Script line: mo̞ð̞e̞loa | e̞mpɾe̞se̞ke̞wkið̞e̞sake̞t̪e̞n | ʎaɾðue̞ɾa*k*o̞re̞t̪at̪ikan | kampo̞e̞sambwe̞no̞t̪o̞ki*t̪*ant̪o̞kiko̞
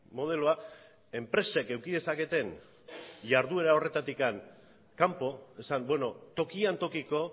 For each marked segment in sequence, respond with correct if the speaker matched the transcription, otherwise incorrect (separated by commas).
incorrect, incorrect